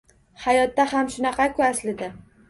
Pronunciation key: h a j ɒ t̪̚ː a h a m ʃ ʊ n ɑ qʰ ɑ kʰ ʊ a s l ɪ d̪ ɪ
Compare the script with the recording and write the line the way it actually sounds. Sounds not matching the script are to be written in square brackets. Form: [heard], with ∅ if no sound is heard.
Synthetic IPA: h a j ɒ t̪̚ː a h a m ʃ ʊ n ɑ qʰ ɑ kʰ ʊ a s l ɪ d̪ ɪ